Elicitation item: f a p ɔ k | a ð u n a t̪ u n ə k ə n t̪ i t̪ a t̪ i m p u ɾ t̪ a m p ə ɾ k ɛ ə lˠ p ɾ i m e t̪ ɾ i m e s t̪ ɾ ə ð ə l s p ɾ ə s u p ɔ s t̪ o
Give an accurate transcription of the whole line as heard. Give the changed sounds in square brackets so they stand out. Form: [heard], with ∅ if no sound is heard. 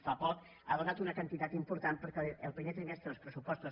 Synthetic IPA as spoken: f a p ɔ k | a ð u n a t̪ u n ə k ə n t̪ i t̪ a t̪ i m p u ɾ t̪ a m p ə ɾ k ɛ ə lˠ p ɾ i m e t̪ ɾ i m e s t̪ ɾ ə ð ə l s p ɾ ə s u p ɔ s t̪ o